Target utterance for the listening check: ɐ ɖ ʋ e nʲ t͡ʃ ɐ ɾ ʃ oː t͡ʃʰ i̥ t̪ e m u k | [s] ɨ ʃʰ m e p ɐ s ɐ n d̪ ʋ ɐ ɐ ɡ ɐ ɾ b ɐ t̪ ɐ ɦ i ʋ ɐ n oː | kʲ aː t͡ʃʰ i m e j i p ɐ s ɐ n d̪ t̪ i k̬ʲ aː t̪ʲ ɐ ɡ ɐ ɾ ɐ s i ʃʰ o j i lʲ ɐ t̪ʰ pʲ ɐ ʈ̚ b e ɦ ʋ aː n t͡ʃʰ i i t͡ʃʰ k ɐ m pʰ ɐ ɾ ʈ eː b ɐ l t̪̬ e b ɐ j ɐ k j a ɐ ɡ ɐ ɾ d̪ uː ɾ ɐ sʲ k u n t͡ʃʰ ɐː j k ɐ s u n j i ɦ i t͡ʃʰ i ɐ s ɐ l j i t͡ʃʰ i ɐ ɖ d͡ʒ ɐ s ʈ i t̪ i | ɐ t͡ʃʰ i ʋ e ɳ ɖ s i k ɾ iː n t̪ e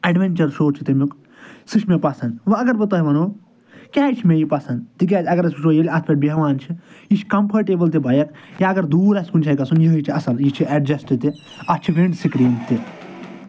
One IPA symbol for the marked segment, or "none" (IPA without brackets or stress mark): s